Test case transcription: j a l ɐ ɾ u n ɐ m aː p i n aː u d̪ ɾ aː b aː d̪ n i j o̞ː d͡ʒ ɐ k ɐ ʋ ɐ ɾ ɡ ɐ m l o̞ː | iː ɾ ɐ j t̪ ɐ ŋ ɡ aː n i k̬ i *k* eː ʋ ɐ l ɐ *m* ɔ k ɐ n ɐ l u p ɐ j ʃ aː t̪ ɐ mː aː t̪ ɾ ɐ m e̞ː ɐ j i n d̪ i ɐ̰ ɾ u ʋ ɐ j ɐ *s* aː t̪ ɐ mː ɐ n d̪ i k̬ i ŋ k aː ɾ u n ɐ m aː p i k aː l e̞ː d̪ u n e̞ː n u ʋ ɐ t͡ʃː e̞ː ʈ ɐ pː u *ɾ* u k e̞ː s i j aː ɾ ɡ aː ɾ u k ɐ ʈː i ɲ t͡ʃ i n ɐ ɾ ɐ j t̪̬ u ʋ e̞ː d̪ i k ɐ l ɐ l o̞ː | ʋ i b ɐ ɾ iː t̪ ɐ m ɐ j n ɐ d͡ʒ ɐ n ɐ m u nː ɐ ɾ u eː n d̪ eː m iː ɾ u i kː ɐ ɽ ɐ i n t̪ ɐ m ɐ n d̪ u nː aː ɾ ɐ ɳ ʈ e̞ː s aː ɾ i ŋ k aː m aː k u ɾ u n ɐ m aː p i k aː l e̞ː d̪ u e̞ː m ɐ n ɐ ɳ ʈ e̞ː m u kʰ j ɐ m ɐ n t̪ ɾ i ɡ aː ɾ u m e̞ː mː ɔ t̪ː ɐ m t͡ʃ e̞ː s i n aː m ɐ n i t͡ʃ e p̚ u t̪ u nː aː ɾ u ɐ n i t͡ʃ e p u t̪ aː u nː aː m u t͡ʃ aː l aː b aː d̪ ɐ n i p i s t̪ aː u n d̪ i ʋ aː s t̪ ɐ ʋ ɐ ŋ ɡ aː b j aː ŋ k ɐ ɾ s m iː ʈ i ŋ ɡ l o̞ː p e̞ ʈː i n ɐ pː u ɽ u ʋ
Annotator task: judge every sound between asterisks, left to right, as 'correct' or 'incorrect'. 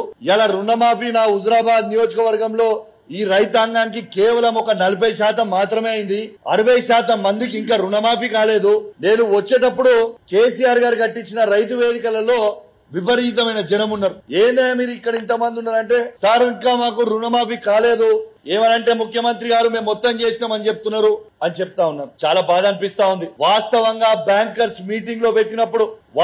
correct, correct, incorrect, incorrect

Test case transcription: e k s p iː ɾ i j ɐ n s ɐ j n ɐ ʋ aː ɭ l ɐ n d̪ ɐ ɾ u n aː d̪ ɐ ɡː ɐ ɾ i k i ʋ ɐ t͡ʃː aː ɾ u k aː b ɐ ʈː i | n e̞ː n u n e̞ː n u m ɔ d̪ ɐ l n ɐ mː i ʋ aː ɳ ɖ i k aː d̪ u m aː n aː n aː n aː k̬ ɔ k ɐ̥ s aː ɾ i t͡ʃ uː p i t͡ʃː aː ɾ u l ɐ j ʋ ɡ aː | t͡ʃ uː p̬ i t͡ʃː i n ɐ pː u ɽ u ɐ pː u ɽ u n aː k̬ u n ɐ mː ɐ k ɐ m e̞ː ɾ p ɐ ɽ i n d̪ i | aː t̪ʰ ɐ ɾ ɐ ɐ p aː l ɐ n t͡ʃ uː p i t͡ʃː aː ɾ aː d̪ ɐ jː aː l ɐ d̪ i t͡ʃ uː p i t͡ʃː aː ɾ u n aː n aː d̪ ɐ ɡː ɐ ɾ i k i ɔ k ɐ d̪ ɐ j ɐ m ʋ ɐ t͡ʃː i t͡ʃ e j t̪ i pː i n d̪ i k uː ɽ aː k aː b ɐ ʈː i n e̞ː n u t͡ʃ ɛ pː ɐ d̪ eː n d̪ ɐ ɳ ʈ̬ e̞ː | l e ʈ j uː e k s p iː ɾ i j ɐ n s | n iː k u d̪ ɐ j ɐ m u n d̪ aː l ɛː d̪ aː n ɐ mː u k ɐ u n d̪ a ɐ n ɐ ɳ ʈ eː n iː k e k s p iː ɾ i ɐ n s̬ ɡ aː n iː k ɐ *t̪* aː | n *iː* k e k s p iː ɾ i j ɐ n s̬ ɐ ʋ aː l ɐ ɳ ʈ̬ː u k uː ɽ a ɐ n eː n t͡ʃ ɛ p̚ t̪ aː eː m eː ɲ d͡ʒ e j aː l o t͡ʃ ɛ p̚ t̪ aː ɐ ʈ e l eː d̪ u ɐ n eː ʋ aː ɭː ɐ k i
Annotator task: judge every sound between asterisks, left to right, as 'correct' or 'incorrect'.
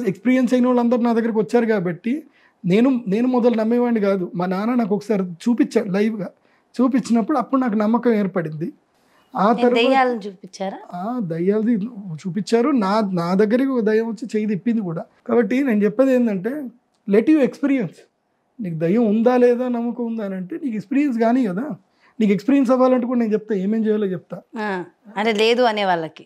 incorrect, correct

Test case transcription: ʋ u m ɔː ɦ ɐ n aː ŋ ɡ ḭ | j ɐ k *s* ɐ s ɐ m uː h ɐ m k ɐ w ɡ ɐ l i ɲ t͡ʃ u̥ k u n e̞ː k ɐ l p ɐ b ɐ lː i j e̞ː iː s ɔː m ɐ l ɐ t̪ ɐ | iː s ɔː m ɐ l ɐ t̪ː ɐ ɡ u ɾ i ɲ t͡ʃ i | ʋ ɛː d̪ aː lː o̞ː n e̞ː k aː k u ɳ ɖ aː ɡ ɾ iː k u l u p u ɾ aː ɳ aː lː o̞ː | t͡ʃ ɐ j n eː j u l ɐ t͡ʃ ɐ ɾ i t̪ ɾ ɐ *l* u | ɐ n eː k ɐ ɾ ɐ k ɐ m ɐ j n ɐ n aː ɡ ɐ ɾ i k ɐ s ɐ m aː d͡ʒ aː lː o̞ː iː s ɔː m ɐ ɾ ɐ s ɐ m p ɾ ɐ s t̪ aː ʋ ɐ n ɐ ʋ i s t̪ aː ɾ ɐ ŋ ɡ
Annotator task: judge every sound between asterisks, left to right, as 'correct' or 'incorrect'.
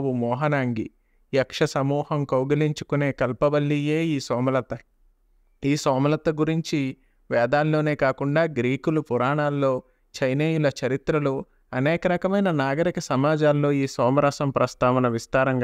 incorrect, correct

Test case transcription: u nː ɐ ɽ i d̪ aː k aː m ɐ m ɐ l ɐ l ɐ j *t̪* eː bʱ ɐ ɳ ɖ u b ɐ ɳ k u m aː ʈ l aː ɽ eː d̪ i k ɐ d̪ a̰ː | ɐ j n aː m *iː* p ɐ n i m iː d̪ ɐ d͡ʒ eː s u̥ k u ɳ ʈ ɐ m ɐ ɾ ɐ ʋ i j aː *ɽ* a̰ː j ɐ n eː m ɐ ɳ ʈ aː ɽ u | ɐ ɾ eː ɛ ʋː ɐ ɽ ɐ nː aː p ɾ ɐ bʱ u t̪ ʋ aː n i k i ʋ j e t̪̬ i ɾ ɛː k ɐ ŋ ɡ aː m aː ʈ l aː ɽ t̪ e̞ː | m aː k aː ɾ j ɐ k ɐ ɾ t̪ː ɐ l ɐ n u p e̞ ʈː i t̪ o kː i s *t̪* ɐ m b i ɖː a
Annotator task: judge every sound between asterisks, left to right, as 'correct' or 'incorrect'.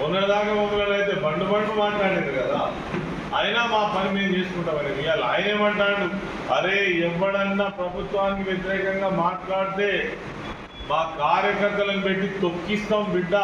correct, incorrect, incorrect, correct

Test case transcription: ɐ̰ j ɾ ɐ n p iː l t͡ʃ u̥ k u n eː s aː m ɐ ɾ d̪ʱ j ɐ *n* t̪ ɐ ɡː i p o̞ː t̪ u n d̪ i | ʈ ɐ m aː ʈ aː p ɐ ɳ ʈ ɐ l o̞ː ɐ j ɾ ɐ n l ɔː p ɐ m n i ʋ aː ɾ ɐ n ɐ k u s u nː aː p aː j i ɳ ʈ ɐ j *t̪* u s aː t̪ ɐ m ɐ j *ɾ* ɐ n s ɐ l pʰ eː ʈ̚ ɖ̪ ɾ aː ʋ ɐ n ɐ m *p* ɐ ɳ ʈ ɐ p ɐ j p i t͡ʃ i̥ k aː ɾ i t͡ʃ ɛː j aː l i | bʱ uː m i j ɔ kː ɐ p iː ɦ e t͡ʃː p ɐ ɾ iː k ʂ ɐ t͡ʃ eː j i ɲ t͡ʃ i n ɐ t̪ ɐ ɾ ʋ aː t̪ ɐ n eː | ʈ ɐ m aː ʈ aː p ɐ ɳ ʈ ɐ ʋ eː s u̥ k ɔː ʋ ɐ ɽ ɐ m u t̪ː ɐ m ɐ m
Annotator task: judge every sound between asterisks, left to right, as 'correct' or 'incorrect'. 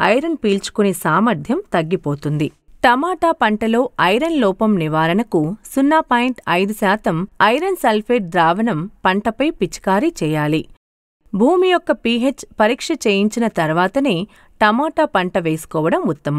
incorrect, incorrect, correct, correct

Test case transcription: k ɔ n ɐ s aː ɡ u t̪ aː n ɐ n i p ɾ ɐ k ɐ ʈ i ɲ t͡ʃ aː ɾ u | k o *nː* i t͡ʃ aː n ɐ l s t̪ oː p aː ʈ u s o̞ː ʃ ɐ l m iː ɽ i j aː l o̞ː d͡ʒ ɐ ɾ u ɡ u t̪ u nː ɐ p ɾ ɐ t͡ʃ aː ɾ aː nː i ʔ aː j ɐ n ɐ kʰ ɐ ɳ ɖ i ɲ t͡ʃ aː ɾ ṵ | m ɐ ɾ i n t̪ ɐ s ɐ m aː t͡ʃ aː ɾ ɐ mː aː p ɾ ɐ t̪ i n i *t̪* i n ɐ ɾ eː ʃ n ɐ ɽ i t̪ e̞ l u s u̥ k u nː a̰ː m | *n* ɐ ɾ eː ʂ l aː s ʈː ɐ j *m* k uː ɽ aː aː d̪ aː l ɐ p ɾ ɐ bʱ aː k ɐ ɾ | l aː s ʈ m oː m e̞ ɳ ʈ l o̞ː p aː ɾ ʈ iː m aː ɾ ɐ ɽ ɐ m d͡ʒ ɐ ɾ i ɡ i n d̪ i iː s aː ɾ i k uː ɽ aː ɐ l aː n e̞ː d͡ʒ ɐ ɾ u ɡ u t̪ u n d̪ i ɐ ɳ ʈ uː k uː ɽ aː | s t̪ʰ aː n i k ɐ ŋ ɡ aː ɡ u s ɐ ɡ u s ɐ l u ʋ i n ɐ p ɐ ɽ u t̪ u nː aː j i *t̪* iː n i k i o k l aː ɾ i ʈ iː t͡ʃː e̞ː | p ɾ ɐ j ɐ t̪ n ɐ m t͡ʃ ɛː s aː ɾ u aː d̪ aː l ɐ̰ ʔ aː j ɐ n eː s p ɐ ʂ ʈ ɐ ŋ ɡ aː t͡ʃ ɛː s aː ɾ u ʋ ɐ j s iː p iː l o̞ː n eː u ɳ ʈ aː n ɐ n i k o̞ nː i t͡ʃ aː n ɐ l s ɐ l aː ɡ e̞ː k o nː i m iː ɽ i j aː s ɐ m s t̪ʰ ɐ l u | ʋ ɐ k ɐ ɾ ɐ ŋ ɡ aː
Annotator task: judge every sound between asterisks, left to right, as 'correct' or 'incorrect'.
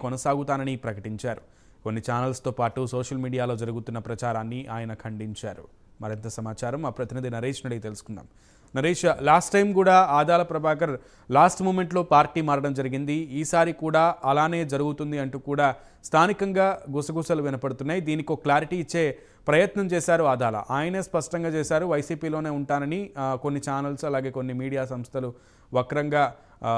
correct, incorrect, correct, correct, incorrect

